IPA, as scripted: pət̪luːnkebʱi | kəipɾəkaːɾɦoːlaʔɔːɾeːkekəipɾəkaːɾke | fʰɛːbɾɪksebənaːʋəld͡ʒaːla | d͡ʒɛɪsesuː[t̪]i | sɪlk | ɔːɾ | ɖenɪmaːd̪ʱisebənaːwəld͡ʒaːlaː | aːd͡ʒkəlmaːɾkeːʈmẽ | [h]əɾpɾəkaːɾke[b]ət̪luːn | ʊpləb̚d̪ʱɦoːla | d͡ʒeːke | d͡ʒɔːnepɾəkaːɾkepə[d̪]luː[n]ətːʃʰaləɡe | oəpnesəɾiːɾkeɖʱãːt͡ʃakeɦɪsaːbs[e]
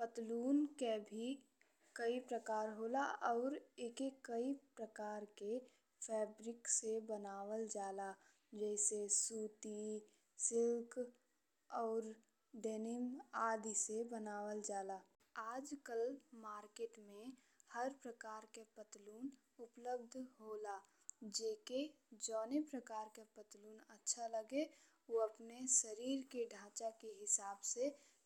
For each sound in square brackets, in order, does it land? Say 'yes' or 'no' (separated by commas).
yes, yes, no, no, yes, yes